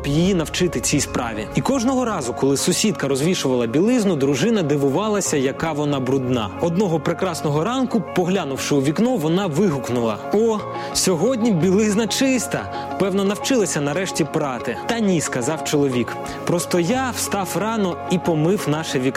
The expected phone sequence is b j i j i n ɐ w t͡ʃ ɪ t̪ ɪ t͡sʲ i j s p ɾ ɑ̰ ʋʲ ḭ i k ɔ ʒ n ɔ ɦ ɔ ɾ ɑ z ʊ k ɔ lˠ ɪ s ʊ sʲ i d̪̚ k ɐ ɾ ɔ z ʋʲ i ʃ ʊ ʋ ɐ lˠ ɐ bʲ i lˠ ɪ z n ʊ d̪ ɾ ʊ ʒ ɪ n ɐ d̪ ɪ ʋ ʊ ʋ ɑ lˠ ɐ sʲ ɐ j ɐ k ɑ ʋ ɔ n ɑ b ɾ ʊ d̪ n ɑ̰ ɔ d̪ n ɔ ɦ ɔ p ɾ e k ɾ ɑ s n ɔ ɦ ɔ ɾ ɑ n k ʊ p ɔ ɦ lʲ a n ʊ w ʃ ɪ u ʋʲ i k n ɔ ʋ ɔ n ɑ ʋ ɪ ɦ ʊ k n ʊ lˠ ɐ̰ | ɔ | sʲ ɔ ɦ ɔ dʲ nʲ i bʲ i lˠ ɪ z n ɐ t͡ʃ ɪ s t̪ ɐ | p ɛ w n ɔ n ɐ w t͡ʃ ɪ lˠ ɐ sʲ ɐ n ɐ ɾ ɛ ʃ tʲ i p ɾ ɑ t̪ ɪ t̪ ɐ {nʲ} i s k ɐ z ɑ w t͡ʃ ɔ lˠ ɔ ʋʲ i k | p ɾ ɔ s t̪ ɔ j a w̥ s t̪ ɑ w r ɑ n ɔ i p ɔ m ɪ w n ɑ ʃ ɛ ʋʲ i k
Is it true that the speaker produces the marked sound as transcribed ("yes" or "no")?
yes